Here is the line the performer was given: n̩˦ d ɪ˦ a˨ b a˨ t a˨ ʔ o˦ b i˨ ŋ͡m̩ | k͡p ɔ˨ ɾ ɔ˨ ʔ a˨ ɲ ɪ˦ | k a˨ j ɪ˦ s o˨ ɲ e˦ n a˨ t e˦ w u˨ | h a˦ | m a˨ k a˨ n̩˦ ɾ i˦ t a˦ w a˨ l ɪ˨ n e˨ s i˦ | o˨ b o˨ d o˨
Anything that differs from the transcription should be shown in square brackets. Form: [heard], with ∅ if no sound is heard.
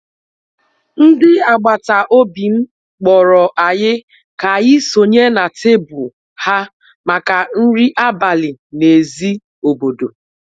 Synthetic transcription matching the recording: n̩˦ d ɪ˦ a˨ [ɡ͡b] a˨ t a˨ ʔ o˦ b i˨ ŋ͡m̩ | k͡p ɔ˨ ɾ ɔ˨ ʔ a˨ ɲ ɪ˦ | k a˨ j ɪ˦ s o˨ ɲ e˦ n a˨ t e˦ [b] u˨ | h a˦ | m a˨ k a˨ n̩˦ ɾ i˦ [ʔ] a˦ [b] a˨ l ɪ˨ n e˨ [z] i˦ | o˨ b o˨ d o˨